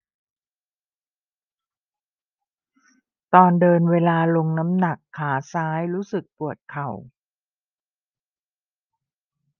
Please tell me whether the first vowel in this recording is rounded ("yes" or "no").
yes